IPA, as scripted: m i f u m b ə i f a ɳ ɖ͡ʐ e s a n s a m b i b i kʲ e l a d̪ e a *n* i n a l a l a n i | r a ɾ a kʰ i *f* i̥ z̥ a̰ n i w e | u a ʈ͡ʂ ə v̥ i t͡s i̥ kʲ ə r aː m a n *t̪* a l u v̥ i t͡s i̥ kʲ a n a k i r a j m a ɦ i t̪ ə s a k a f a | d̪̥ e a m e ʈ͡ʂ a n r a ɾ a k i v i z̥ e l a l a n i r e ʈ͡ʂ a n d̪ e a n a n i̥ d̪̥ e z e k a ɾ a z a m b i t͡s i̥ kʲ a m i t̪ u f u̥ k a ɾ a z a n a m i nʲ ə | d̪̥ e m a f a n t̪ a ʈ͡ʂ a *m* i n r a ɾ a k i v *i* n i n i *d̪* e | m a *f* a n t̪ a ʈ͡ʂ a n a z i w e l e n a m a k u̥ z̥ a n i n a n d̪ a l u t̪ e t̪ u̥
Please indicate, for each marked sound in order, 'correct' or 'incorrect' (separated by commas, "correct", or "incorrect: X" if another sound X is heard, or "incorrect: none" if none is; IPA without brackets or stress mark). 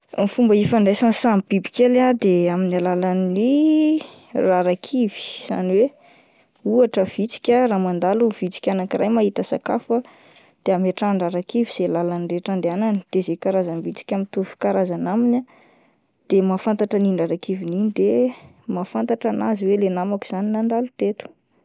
incorrect: m, incorrect: v, incorrect: d̪, incorrect: n, correct, correct, correct